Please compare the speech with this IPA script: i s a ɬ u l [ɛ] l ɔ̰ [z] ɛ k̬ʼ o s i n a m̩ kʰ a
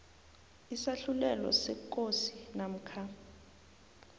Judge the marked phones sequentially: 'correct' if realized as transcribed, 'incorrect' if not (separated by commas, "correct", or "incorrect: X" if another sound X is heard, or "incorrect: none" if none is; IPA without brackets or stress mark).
correct, incorrect: s